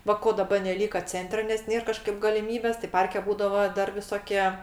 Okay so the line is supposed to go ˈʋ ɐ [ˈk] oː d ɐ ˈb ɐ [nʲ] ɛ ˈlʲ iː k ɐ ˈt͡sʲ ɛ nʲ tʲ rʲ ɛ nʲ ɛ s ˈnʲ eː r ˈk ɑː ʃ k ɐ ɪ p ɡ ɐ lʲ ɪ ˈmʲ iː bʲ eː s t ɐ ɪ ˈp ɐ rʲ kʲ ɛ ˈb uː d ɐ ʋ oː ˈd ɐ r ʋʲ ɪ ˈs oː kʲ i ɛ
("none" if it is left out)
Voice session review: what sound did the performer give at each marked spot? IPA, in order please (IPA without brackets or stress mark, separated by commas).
k, nʲ